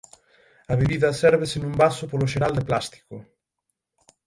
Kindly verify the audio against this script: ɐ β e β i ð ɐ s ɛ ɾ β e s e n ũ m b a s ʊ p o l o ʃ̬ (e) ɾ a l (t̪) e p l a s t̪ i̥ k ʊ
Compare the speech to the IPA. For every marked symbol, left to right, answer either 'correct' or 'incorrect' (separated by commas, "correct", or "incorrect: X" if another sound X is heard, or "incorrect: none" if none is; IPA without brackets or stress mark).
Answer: correct, incorrect: d̪